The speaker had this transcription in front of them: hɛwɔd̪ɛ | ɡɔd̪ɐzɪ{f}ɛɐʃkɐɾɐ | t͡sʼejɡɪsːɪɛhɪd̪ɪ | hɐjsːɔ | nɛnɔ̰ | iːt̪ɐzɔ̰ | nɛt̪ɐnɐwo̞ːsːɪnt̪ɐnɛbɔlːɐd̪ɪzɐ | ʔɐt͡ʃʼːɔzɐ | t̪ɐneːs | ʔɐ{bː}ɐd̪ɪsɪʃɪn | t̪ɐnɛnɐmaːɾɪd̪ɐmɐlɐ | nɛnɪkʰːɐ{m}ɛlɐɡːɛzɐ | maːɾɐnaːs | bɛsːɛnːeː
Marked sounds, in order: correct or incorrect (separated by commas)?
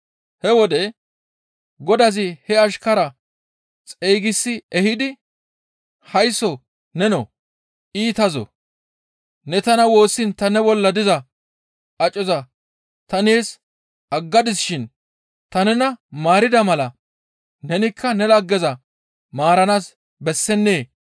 incorrect, incorrect, incorrect